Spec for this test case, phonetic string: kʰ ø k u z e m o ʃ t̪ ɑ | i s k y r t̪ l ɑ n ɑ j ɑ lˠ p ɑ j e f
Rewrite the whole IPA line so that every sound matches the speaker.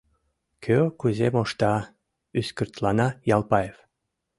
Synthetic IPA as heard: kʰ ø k u z e m o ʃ t̪ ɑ | y s k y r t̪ l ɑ n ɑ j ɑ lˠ p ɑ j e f